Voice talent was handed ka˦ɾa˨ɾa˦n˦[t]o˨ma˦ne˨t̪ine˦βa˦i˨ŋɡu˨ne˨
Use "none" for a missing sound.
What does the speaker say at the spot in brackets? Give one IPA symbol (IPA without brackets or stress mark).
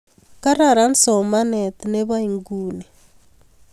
s